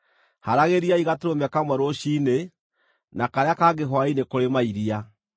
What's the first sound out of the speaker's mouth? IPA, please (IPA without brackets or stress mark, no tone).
h